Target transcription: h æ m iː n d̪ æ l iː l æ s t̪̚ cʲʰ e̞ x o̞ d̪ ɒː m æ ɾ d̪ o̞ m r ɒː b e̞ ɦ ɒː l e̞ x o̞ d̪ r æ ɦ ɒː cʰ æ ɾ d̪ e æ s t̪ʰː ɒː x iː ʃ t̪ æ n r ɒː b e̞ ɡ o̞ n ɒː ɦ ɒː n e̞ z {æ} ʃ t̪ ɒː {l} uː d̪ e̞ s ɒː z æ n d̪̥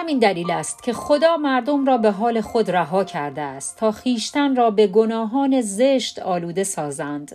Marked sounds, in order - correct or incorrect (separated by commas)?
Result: incorrect, correct